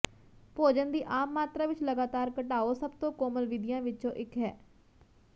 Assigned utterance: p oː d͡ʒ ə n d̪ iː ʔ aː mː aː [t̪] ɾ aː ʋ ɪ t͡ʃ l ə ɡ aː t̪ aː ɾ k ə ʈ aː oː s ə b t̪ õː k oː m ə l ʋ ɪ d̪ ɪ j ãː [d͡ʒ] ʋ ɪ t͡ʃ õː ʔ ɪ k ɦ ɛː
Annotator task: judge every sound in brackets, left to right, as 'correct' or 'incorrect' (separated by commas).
correct, incorrect